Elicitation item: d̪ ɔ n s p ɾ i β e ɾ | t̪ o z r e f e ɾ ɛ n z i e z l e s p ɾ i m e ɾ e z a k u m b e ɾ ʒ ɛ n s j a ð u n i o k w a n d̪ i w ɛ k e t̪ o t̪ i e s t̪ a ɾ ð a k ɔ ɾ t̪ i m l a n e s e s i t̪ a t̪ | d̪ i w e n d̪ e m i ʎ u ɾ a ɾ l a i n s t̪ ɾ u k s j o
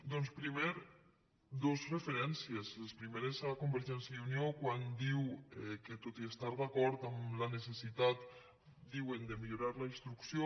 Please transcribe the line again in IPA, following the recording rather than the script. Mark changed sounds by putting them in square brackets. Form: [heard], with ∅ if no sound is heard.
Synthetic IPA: d̪ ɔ n s p ɾ i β e ɾ | [d̪] o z r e f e ɾ ɛ n [s] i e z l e s p ɾ i m e ɾ e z a k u m b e ɾ ʒ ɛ n s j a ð u n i o k w a n d̪ i w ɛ k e t̪ o t̪ i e s t̪ a ɾ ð a k ɔ ɾ t̪ [a] m l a n e s e s i t̪ a t̪ | d̪ i w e n d̪ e m i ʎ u ɾ a ɾ l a i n s t̪ ɾ u k s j o